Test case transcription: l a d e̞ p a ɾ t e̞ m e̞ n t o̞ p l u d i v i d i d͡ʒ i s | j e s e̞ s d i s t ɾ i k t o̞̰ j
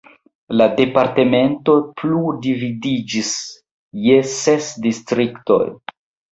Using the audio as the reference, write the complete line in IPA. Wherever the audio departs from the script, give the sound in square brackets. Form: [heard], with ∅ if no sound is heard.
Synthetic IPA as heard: l a d e̞ p a ɾ t e̞ m e̞ n t o̞ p l u d i v i d i d͡ʒ i s | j e s e̞ s d i s t ɾ i k t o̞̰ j